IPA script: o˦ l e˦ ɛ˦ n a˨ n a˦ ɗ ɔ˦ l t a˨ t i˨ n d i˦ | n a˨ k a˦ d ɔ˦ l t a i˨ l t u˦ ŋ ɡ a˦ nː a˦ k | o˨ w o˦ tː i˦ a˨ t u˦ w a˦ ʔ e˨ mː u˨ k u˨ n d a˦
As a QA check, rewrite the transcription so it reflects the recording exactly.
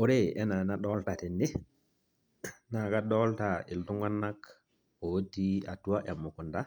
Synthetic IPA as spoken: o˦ ɾ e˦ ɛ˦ n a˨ n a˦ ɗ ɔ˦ l t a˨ t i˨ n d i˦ | n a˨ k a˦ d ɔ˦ l t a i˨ l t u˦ ŋ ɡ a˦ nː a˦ k | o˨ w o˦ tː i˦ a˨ t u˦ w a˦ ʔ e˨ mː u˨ k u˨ n d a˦